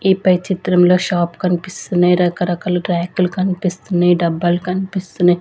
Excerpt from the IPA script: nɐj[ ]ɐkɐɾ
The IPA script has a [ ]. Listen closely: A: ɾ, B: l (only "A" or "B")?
A